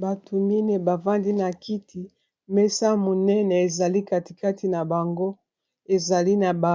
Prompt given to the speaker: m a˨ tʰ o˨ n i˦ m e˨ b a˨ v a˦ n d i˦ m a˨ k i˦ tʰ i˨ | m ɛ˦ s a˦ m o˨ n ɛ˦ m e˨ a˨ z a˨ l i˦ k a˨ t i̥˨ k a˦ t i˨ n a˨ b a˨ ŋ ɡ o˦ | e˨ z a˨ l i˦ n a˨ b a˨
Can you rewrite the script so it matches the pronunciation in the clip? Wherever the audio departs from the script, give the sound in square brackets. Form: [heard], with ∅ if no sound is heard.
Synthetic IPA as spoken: [b] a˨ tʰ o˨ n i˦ [n] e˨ b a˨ v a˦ n d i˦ [n] a˨ k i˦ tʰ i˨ | m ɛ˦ s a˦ m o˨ n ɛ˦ [n] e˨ [e˨] z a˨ l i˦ k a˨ t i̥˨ k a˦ t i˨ n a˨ b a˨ ŋ ɡ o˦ | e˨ z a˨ l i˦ n a˨ b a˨